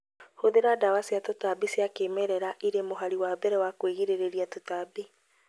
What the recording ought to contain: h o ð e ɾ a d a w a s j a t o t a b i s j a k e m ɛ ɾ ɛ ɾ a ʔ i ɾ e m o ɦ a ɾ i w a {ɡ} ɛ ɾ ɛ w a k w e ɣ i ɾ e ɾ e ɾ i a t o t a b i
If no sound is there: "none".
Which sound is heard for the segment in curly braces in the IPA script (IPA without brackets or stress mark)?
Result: b